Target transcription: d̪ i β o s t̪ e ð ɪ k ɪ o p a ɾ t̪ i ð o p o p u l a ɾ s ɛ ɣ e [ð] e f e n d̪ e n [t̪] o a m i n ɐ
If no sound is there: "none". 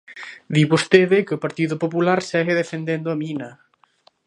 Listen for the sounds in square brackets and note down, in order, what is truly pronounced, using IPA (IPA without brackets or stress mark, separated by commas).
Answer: ð, d̪